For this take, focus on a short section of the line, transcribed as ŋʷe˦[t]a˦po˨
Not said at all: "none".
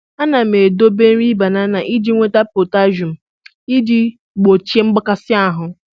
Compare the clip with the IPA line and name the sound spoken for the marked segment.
t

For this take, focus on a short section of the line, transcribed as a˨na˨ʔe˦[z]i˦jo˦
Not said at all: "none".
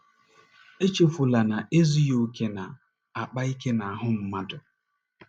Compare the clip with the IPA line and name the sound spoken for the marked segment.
z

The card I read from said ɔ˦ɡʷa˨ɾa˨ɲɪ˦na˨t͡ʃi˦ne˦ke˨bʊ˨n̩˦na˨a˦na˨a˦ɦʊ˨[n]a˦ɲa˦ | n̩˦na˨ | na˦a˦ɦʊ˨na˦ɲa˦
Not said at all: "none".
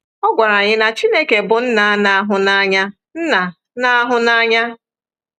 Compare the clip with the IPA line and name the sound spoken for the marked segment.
n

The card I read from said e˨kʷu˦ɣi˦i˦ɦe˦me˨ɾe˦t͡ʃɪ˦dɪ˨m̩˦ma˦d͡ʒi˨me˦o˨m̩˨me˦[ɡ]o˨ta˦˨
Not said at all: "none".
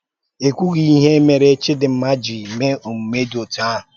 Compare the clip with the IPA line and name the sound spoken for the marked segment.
d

